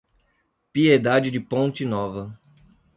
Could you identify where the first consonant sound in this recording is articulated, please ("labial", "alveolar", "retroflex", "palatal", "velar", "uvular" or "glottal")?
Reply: labial